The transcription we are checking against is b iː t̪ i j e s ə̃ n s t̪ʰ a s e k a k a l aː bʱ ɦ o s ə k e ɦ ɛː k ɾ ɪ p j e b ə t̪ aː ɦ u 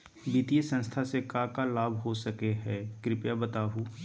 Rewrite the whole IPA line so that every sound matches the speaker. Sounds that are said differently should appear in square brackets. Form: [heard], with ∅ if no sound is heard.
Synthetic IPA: b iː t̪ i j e s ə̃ n s t̪ʰ a s e k a k a l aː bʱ ɦ o s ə k e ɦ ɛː k ɾ ɪ p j [a] b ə t̪ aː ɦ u